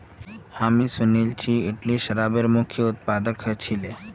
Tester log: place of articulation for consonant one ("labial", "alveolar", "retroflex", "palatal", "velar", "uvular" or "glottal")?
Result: glottal